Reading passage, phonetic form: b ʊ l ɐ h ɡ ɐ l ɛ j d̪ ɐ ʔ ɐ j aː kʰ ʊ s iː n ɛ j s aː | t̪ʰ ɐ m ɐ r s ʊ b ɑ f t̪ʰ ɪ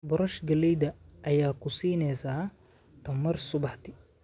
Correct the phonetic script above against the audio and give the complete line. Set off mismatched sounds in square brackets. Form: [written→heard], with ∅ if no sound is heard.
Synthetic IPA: b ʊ [l→ɾ] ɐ [h→ʃ] ɡ ɐ l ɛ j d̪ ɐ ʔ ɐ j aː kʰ ʊ s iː n ɛ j s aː | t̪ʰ ɐ m ɐ r s ʊ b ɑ [f→ħ] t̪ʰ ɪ